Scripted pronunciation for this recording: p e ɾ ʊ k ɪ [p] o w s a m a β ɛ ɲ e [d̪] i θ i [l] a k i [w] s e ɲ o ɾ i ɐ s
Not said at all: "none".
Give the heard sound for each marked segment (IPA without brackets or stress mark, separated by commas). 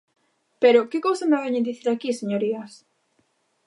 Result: k, d̪, ɾ, none